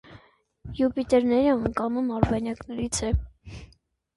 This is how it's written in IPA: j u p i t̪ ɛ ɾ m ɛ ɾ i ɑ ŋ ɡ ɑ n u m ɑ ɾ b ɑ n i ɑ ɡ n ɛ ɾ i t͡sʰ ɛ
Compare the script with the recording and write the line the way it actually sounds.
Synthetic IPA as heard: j u p i t̪ ɛ ɾ n ɛ ɾ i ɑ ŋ k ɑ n u m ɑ ɾ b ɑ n j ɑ k n ɛ ɾ i t͡sʰ ɛ

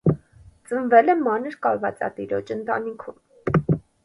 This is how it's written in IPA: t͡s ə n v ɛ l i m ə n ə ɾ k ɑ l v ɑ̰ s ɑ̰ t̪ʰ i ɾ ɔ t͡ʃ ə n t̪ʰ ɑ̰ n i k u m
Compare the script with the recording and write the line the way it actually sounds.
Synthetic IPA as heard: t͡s ə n v ɛ l ɛ m ɑ n ə ɾ k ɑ l v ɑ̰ t͡s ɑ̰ t̪ i ɾ ɔ t͡ʃ ə n t̪ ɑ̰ n i kʰ u m

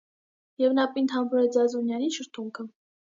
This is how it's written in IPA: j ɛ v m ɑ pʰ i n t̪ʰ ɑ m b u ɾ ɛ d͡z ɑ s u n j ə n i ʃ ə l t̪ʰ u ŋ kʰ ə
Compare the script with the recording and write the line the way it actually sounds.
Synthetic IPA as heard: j ɛ v n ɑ p i n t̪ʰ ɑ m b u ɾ ɛ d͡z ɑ z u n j ɑ n i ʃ ə ɾ t̪ʰ u ŋ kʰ ə

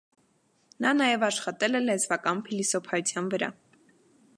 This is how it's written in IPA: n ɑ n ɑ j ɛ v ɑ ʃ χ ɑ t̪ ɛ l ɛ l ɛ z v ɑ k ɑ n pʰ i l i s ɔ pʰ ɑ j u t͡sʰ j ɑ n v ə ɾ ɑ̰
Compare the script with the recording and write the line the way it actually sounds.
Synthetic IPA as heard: n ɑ n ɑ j ɛ v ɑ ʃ χ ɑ t̪ ɛ l ɛ l ɛ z v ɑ k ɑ n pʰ i l i s ɔ pʰ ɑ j u t͡sʰ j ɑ n v ə ɾ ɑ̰

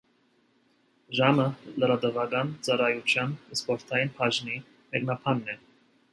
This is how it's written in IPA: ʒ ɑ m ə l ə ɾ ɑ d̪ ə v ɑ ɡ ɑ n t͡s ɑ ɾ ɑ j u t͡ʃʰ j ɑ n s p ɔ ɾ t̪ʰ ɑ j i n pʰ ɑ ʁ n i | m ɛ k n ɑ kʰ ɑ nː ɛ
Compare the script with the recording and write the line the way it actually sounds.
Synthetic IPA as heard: ʒ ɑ m ə l ə ɾ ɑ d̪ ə v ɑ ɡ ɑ n t͡s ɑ ɾ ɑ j u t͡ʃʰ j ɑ n s p ɔ ɾ t̪ʰ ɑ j i n pʰ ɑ ʒ n i | m ɛ k n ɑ pʰ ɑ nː ɛ

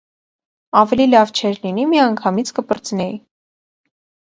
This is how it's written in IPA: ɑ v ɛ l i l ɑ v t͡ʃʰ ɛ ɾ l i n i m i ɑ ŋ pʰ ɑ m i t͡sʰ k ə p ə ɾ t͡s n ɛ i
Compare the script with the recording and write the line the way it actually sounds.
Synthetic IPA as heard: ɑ v ɛ l i l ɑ v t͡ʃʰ ɛ ɾ l i n i m i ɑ ŋ kʰ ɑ m i t͡sʰ k ə p ə ɾ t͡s n ɛ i

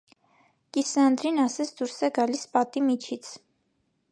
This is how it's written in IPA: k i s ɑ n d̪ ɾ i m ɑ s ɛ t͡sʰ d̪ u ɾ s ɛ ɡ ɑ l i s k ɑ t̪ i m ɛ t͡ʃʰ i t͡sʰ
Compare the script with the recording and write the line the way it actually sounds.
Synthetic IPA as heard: k i s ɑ n d̪ ɾ i n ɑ s ɛ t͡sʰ d̪ u ɾ s ɛ ɡ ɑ l i s p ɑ t̪ i m i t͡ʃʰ i t͡sʰ

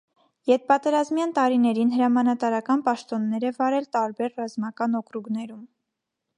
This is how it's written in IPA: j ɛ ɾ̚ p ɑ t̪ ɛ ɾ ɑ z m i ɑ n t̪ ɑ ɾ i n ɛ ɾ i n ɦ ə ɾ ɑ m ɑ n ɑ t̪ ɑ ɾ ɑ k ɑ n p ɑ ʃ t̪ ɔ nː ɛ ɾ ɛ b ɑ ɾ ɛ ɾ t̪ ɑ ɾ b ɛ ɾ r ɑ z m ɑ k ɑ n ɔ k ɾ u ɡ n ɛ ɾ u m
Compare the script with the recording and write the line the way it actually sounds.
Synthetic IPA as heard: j ɛ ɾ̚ p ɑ t̪ ɛ ɾ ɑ z m j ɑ n t̪ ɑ ɾ i n ɛ ɾ i n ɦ ə ɾ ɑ m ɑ n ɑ t̪ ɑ ɾ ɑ k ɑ n p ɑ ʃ t̪ ɔ nː ɛ ɾ ɛ v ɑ ɾ ɛ l t̪ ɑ ɾ b ɛ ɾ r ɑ z m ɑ k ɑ n ɔ k ɾ u ɡ n ɛ ɾ u m

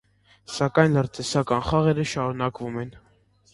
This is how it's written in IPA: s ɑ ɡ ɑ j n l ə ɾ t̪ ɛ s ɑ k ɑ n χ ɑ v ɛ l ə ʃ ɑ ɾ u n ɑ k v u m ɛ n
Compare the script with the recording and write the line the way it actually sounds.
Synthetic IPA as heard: s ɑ k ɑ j n l ə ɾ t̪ ɛ s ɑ k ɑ n χ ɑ ʁ ɛ ɾ ə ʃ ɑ ɾ u n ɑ k v u m ɛ n

